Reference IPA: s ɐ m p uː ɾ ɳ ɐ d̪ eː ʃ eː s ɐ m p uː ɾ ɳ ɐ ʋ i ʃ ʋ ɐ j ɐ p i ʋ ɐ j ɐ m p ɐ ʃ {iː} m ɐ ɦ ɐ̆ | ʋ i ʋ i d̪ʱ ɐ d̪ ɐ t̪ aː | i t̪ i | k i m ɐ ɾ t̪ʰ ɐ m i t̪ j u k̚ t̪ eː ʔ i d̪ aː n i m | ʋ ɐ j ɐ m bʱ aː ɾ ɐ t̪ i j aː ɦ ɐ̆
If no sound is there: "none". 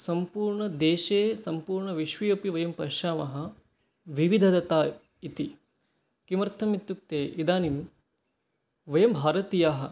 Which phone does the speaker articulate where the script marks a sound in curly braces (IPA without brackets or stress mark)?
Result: aː